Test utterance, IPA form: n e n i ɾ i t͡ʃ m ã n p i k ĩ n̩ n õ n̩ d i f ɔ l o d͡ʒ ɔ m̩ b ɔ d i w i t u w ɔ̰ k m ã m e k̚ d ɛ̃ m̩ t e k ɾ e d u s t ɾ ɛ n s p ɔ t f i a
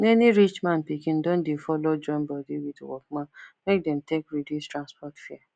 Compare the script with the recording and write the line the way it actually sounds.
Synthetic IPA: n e n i ɾ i t͡ʃ m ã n p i k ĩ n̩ d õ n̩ d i f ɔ l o d͡ʒ ɔ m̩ b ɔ d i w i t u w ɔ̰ k m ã m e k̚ d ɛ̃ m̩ t e k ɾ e d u s t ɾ a n s p ɔ t f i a